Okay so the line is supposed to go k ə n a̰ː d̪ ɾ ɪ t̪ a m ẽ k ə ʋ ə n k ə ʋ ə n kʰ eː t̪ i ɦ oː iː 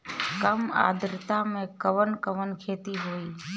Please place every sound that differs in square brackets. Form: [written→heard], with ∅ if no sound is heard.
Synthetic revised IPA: k ə [n→m] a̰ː d̪ ɾ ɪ t̪ a m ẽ k ə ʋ ə n k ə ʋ ə n kʰ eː t̪ i ɦ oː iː